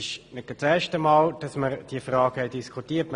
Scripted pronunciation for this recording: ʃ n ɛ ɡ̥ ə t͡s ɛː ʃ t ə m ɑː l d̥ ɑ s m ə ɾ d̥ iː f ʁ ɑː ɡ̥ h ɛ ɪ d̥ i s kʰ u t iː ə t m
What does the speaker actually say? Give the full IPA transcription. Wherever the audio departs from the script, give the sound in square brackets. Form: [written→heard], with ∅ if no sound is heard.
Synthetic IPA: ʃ n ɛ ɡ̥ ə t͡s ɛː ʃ t ə m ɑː l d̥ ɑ s m ə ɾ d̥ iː f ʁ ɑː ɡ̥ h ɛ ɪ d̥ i s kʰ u t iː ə t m